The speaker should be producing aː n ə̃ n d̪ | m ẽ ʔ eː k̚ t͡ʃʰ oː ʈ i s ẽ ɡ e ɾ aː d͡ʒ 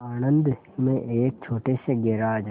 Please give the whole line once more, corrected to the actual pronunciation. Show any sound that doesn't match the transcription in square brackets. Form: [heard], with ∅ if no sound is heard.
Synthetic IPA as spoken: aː n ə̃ n d̪ | m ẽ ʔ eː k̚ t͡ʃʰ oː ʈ [e] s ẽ ɡ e ɾ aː d͡ʒ

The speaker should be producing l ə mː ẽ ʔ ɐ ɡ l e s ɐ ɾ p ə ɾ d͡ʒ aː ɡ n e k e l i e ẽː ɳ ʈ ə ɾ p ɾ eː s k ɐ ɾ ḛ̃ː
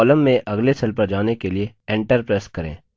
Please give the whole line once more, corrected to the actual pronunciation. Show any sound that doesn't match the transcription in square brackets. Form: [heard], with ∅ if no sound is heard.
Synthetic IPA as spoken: l ə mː ẽ ʔ ɐ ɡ l e s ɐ [l] p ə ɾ d͡ʒ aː [∅] n e k e l i e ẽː ɳ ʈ ə ɾ p ɾ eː s k ɐ ɾ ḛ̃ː

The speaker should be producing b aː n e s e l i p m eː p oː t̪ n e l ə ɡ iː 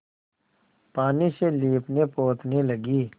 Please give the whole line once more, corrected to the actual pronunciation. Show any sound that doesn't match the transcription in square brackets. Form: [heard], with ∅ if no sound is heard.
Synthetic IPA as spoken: [p] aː n [i] s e l [iː] p [n] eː p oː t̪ n e l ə ɡ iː

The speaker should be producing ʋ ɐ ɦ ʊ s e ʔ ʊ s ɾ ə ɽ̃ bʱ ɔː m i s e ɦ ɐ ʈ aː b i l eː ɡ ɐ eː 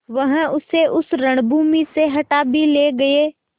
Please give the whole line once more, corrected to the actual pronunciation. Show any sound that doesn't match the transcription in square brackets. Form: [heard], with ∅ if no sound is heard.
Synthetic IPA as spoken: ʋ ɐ ɦ ʊ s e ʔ ʊ s ɾ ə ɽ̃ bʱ [uː] m i s e ɦ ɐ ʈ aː b i l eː ɡ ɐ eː

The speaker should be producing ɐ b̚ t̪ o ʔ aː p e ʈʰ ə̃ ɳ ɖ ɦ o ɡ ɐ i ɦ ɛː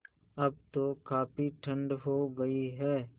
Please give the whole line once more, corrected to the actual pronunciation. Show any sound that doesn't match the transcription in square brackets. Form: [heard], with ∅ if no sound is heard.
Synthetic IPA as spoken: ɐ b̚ t̪ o [k] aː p [i] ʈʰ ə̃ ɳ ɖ ɦ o ɡ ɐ i ɦ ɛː

